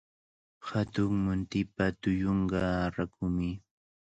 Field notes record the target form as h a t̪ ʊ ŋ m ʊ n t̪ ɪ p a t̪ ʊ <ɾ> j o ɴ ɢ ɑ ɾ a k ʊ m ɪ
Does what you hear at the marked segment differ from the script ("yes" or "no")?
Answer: yes